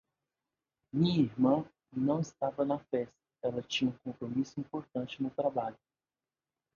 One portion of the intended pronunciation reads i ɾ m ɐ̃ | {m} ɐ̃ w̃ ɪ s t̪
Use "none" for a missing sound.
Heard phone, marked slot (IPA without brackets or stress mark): n